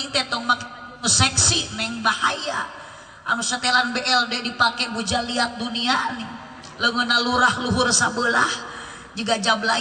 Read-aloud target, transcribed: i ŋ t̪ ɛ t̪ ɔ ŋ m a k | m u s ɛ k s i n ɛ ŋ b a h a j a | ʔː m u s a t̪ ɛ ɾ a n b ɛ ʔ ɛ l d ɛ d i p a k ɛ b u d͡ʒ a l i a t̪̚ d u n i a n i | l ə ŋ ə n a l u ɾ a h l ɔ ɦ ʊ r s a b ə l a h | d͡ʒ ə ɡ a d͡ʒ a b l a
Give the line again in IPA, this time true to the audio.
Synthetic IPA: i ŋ t̪ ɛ t̪ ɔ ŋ m a k | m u s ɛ k s i n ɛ ŋ b a h a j a | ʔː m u s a t̪ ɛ l a n b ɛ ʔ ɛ l d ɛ d i p a k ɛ b u d͡ʒ a l i a t̪̚ d u n i a n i | l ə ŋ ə n a l u ɾ a h l u ɦ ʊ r s a b ə l a h | d͡ʒ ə ɡ a d͡ʒ a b l a